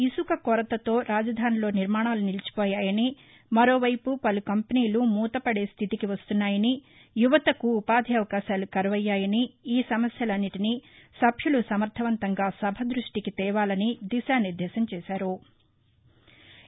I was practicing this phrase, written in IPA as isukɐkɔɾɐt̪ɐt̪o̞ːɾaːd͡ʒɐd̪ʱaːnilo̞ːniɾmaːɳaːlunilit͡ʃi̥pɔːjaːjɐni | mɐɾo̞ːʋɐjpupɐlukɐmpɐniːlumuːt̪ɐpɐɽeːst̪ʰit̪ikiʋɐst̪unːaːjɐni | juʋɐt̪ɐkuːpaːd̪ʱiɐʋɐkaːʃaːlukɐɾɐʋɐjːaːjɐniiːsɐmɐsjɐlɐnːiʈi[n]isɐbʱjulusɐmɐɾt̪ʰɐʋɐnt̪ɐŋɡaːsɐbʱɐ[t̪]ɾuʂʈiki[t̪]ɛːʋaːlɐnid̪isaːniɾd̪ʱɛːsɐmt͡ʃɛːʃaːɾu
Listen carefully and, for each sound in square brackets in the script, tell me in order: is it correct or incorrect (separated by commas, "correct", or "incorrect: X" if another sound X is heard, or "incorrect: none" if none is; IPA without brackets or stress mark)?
correct, incorrect: d̪, correct